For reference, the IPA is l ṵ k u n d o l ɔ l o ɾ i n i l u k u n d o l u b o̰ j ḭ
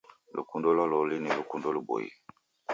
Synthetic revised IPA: l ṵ k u n d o l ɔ l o l i n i l u k u n d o l u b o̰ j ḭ